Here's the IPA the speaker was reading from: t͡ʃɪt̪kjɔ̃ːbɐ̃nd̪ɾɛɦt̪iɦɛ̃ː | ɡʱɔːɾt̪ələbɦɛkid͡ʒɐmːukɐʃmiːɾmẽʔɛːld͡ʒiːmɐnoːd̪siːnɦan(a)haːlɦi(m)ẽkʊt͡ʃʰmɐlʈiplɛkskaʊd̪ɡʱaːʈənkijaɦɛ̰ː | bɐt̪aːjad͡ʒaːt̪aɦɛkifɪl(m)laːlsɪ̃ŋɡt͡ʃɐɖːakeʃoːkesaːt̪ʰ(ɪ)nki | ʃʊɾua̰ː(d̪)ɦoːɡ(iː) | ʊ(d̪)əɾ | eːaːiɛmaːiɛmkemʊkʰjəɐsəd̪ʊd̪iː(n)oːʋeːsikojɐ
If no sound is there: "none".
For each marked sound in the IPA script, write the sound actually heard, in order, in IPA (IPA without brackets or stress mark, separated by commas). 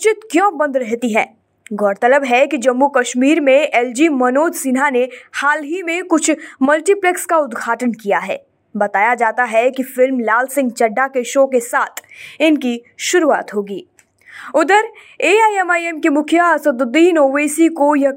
e, m, m, ɪ, t̪, iː, d̪, n